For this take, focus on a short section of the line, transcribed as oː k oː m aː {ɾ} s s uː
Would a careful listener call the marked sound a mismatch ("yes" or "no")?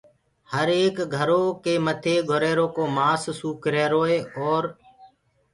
yes